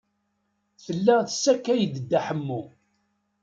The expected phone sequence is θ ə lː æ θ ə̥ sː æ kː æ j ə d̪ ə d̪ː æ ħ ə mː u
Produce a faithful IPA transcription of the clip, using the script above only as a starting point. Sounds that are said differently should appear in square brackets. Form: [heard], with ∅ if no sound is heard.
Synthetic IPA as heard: θ ə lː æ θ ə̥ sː æ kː æ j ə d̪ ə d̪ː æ ħ ə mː u